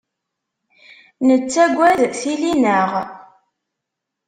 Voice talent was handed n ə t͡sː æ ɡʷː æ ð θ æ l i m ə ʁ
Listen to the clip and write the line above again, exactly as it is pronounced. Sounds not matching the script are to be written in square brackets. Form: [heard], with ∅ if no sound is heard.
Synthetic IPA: n ə t͡sː æ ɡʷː æ ð θ [i] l i [n] ə ʁ

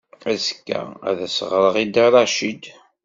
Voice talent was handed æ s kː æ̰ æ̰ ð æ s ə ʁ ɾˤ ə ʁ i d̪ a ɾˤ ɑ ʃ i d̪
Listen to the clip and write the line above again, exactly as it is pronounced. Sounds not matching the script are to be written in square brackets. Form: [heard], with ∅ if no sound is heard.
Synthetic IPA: æ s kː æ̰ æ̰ ð æ s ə ʁ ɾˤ ə ʁ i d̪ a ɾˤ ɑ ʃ i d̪

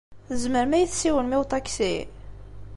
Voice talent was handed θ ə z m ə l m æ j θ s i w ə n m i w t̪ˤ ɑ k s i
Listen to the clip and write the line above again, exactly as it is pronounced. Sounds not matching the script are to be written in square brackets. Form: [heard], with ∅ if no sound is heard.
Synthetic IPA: θ ə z m ə [ɾ] m æ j θ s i w ə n m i w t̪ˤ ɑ k s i

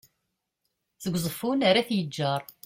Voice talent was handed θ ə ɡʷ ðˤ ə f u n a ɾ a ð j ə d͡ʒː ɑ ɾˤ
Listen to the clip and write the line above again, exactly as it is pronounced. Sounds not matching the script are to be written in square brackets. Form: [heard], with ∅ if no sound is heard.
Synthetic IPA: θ ə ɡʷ [zˤ] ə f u n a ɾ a [θ] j ə d͡ʒː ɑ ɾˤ

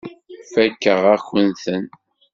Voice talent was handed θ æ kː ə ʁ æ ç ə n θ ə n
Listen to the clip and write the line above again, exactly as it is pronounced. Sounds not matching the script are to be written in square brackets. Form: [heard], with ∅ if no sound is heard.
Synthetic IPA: [f] æ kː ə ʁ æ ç ə n θ ə n

